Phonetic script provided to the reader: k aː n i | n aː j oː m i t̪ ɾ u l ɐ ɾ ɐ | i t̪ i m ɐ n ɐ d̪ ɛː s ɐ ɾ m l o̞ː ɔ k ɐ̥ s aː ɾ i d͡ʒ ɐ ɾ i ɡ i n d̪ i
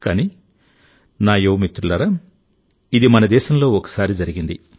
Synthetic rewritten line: k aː n i | n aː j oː m i t̪ ɾ u l ɐ ɾ ɐ | i d̪ i m ɐ n ɐ d̪ ɛː ʃ ɐ m l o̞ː ɔ k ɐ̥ s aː ɾ i d͡ʒ ɐ ɾ i ɡ i n d̪ i